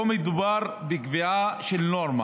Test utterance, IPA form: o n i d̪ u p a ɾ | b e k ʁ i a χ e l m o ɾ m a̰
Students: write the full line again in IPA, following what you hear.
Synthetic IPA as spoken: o m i d̪ u b a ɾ | b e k v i a ʃ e l n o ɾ m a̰